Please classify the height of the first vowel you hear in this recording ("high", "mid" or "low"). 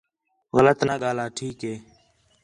mid